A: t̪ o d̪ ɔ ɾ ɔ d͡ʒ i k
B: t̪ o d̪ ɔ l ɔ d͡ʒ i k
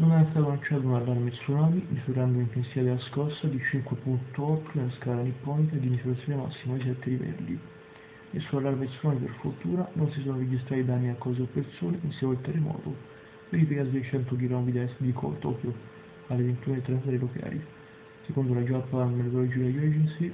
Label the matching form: B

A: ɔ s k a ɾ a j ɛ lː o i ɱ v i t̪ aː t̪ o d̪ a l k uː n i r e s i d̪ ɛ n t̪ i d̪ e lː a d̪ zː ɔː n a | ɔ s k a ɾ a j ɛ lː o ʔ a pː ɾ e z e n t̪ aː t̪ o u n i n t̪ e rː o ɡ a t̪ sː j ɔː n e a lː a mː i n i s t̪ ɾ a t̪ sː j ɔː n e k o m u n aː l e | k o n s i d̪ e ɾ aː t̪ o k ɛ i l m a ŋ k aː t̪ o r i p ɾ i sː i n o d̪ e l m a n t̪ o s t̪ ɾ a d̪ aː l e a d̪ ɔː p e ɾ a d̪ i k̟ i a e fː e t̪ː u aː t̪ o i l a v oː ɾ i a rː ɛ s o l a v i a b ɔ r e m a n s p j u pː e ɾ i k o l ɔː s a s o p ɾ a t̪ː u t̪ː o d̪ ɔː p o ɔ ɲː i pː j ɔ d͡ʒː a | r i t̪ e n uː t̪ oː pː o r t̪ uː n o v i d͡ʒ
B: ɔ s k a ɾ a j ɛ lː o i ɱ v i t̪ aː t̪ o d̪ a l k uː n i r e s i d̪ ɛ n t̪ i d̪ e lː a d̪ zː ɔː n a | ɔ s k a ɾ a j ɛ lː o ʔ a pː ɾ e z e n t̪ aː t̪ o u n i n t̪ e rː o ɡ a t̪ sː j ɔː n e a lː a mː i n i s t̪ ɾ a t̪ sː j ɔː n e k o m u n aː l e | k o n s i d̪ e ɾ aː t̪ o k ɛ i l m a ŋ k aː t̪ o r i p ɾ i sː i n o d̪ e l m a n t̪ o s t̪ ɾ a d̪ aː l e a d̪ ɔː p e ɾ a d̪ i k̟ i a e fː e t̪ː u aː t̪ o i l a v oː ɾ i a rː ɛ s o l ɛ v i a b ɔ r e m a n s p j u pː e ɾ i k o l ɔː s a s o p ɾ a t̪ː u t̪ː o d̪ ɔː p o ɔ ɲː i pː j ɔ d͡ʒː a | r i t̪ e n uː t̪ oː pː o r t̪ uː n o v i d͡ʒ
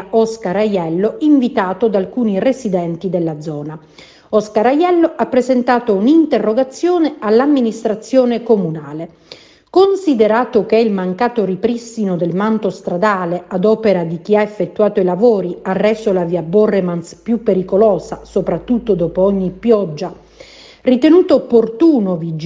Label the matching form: A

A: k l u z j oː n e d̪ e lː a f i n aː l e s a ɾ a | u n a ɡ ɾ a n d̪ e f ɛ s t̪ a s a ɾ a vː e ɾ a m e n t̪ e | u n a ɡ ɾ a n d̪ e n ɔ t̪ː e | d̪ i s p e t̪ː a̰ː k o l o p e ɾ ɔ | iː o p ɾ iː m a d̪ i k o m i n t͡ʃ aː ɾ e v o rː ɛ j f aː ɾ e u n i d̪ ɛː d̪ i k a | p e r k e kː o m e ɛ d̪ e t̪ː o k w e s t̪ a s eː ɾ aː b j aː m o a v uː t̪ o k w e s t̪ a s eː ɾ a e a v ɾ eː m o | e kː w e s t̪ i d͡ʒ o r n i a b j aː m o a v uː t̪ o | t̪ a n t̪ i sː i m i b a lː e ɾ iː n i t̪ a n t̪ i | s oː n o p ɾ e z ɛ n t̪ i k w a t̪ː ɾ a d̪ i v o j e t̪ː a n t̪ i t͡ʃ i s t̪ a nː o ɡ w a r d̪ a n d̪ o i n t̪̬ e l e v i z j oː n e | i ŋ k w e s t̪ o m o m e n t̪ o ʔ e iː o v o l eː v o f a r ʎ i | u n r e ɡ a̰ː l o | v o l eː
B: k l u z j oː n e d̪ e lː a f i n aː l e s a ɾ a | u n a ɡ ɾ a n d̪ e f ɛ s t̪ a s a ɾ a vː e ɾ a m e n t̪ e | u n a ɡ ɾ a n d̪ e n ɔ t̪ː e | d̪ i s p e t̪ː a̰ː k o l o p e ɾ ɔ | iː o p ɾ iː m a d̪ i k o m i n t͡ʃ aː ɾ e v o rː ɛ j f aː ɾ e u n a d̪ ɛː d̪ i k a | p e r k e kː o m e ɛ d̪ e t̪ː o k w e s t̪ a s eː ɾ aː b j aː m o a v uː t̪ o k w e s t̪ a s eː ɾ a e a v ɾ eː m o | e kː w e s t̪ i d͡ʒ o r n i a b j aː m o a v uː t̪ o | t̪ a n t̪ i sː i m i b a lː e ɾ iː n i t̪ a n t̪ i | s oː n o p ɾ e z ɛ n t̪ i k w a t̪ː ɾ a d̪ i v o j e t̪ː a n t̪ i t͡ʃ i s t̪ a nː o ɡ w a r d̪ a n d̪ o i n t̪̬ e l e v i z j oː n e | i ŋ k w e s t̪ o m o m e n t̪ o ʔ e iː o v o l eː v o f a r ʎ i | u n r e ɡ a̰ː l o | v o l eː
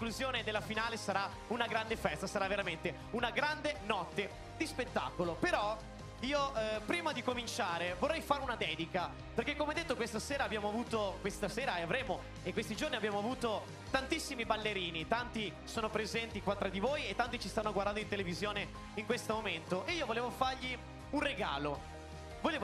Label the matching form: B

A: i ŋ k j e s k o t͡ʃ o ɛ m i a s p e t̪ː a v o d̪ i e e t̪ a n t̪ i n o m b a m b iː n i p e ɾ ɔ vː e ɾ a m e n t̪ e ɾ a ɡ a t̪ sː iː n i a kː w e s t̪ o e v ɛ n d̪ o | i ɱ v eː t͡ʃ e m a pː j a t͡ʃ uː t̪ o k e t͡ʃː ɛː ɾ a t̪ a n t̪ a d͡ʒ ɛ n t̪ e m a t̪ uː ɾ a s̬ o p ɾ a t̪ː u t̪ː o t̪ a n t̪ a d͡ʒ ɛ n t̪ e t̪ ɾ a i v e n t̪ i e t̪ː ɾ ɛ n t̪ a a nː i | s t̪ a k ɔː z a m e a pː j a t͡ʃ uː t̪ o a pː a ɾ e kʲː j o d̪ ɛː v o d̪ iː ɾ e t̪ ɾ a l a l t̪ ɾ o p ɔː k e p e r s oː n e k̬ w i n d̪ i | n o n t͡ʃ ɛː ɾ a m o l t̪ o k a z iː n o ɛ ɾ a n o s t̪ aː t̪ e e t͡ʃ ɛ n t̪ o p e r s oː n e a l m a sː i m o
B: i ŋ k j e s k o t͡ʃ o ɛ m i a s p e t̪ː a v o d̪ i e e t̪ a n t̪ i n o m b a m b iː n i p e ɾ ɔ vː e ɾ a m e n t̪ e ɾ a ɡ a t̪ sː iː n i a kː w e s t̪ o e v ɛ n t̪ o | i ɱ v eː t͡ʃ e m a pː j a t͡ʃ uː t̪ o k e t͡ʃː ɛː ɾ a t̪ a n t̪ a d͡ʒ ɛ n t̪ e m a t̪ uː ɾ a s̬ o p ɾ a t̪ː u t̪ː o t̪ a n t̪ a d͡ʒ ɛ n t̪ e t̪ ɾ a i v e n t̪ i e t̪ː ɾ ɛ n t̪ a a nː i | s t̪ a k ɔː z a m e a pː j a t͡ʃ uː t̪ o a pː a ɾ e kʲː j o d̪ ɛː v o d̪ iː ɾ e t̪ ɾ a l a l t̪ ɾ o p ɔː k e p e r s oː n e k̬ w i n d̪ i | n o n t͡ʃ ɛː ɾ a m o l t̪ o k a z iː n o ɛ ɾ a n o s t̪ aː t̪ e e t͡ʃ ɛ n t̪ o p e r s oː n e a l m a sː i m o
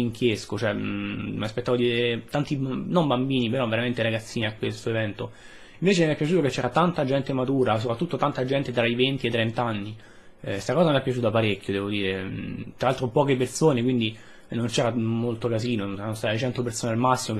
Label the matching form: B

